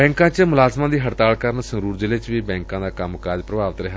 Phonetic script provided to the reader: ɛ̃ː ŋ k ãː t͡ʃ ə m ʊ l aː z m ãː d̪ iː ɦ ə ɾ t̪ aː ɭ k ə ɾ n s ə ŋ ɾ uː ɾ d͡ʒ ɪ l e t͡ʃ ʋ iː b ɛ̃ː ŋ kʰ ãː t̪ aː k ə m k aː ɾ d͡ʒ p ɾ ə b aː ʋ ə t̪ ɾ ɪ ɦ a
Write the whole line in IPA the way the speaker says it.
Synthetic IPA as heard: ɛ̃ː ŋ k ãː t͡ʃ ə m ʊ l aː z m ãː d̪ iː ɦ ə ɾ t̪ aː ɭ k ə ɾ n s ə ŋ ɾ uː ɾ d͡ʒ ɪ l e t͡ʃ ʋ iː b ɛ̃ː ŋ k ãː d̪ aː k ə m k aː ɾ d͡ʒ p ɾ ə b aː ʋ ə t̪ ɾ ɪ ɦ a